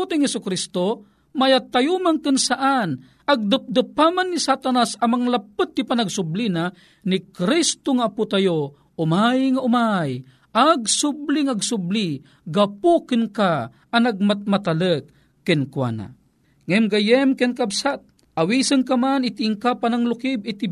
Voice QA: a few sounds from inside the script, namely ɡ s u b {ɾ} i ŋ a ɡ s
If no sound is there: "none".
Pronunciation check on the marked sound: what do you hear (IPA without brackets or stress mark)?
l